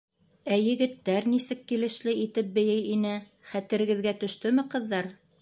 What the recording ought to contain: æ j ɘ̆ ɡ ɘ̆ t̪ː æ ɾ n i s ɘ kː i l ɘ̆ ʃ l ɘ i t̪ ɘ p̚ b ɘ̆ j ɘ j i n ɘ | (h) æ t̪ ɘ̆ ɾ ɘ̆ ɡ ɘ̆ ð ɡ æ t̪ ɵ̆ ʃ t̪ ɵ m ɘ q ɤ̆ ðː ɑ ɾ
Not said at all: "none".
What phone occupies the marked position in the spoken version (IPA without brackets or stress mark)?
χ